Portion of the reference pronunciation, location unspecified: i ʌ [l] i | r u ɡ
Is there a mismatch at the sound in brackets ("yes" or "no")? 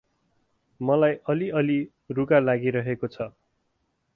no